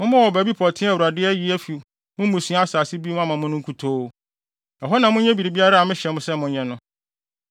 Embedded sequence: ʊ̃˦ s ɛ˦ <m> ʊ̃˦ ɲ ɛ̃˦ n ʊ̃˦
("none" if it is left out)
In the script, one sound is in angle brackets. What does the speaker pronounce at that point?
m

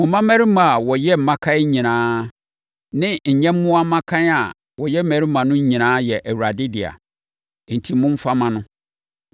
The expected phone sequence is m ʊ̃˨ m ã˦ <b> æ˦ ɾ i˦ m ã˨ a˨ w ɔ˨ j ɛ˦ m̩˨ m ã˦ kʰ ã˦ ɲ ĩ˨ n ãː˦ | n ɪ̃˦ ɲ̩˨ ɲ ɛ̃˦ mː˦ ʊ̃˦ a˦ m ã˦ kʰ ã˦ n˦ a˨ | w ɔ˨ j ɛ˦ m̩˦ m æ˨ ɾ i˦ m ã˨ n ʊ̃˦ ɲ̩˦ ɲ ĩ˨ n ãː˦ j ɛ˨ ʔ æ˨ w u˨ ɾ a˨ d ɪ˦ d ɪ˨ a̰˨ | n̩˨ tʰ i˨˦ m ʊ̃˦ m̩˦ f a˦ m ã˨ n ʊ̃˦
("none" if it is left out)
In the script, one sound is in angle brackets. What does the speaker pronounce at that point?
m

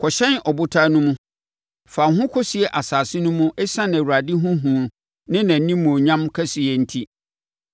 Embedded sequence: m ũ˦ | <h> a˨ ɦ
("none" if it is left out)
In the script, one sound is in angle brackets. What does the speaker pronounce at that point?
f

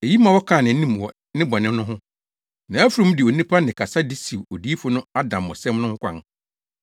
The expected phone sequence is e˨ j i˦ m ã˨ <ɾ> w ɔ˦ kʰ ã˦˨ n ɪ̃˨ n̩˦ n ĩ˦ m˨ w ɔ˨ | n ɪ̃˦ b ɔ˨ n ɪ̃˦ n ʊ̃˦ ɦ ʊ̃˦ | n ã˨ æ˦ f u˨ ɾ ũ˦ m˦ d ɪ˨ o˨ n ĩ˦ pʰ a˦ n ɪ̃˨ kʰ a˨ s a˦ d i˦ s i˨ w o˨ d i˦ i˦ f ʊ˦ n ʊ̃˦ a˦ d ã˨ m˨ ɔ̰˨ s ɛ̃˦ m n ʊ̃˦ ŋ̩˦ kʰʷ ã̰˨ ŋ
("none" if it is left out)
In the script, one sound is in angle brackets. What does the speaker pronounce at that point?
none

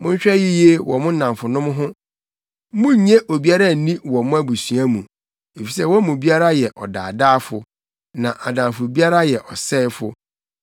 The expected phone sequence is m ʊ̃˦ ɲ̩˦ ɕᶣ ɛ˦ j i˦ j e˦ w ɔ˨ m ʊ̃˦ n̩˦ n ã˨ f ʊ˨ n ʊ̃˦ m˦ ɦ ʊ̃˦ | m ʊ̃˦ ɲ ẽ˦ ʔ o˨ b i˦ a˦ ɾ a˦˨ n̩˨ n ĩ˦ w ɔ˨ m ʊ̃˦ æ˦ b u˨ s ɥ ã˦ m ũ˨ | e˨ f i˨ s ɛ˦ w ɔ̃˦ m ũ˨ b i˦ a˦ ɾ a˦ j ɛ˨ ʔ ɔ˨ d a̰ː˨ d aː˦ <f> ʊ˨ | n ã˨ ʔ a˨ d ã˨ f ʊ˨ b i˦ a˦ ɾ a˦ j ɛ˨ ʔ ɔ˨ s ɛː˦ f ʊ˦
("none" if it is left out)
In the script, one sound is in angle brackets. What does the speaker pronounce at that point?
f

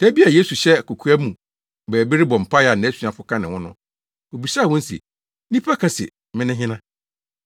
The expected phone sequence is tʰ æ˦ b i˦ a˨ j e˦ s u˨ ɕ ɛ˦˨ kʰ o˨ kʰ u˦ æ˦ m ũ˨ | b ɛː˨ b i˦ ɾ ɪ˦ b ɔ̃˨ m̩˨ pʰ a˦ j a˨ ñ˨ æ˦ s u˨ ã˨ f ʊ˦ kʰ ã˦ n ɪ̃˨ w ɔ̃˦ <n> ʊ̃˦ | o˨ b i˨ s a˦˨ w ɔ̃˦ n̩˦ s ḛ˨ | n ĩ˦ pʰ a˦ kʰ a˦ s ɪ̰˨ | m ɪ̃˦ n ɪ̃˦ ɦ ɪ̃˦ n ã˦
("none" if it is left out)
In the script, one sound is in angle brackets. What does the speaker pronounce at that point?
n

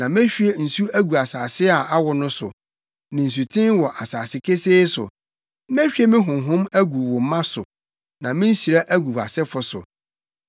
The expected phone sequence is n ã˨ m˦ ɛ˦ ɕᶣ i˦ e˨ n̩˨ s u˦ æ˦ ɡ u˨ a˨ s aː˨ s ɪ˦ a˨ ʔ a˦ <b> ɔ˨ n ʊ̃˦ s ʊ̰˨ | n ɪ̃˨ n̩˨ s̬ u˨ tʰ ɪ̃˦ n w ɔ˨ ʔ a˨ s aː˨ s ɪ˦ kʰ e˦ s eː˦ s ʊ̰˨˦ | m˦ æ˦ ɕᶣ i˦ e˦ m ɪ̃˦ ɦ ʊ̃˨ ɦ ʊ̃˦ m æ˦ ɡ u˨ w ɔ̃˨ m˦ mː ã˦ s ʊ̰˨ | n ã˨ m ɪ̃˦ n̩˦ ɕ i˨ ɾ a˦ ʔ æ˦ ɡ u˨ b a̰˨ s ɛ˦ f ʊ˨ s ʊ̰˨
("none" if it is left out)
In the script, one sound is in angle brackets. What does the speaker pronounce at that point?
w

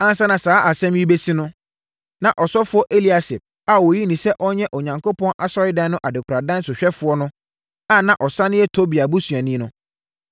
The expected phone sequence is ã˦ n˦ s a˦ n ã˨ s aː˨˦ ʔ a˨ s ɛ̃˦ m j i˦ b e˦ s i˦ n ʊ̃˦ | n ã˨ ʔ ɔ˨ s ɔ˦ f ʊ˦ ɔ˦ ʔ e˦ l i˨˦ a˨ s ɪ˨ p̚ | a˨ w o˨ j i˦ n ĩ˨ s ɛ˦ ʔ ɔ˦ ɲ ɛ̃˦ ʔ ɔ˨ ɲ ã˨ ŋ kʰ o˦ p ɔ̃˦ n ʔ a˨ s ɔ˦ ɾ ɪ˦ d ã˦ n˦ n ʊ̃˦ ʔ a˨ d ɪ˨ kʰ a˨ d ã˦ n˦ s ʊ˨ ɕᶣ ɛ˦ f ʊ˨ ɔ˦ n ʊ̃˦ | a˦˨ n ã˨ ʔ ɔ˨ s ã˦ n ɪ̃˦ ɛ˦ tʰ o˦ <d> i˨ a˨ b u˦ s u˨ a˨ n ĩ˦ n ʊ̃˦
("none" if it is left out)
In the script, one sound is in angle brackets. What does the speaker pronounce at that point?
b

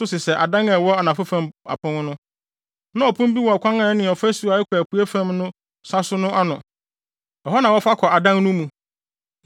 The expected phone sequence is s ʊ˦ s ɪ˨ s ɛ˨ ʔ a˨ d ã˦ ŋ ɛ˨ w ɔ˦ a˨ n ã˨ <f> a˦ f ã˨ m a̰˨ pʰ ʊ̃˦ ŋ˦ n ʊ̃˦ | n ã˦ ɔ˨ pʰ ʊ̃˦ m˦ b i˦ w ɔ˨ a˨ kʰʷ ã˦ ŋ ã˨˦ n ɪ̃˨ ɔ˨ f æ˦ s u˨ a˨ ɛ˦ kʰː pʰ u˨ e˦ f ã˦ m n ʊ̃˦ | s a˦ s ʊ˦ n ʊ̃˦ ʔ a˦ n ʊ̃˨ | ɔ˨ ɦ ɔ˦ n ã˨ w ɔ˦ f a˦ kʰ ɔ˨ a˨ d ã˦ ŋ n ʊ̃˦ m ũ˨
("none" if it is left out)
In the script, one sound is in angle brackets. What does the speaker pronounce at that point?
f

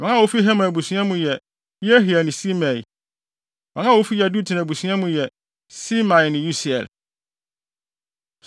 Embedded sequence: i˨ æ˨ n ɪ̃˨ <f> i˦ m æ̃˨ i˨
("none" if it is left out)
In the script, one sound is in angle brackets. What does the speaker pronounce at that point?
s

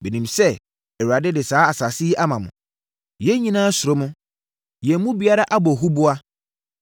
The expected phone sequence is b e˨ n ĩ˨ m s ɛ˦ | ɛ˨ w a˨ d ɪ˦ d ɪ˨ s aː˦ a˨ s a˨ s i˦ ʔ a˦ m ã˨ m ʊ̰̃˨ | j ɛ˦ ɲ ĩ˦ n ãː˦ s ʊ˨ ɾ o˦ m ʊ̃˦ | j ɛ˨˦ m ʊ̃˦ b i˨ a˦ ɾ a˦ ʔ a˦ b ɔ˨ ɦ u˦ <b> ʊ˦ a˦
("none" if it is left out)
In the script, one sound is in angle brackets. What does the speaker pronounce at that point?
b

